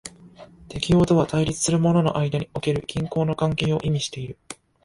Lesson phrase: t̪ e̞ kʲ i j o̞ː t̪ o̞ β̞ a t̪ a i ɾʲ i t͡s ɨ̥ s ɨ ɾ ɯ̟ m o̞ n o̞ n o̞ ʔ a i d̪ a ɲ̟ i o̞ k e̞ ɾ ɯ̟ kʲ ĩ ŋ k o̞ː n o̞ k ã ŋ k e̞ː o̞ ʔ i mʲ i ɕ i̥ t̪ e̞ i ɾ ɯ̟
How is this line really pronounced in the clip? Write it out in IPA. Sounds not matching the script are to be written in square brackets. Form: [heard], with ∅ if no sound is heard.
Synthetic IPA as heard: t̪ e̞ kʲ i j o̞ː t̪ o̞ β̞ a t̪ a i ɾʲ i t͡s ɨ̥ s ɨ ɾ ɯ̟ m o̞ n o̞ n o̞ ʔ a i d̪ a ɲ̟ i o̞ k e̞ ɾ ɯ̟ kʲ ĩ ŋ k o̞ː n o̞ k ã ŋ k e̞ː o̞ ʔ i mʲ i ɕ i̥ t̪ e̞ i ɾ ɯ̟